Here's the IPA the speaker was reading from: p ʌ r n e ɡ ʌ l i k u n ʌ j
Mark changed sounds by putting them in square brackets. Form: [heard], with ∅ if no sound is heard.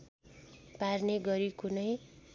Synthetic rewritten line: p [a] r n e ɡ ʌ [ɾ] i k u n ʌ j